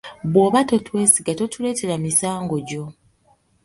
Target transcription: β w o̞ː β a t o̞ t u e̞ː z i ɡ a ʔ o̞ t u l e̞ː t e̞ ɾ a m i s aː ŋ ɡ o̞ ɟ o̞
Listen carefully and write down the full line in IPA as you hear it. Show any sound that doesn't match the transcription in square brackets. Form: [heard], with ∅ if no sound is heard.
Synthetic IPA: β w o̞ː β a t o̞ t [w] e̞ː [s] i ɡ a [t] o̞ t u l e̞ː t e̞ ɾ a m i s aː ŋ ɡ o̞ ɟ o̞